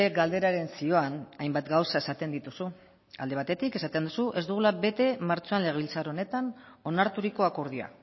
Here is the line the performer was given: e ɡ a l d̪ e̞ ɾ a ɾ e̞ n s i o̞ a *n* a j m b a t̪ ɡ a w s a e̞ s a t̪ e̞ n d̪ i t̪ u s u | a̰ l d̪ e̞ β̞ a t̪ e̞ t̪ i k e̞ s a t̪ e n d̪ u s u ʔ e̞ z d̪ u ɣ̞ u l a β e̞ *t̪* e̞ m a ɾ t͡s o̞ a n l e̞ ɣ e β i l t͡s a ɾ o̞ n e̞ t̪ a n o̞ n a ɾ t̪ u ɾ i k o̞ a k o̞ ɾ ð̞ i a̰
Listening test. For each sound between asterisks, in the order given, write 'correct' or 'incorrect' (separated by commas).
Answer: correct, correct